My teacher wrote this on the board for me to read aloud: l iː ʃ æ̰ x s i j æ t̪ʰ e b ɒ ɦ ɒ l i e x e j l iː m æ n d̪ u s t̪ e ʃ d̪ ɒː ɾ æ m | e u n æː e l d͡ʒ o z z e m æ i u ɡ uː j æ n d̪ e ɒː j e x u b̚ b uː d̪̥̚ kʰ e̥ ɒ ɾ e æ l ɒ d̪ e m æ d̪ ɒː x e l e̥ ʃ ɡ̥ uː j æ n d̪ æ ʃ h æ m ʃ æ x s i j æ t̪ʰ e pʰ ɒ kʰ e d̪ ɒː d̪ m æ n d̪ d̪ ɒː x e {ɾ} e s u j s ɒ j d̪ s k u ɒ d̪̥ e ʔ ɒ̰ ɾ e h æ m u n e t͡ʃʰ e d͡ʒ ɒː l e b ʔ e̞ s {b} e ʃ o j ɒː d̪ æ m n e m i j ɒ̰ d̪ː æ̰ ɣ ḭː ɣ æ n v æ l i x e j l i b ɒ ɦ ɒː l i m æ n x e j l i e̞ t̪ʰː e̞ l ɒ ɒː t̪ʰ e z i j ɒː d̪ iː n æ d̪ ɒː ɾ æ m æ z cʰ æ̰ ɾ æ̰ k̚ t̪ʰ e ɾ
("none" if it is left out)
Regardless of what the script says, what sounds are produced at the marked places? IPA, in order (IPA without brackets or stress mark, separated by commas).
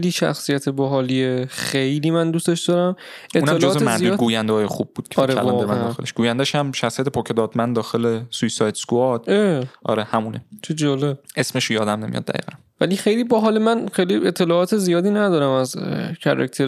l, m